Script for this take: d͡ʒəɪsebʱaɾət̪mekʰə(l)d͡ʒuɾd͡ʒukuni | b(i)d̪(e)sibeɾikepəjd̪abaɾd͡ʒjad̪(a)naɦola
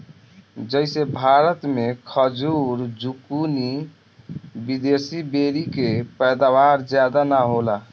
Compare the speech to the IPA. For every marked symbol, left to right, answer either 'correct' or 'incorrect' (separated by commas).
incorrect, correct, correct, correct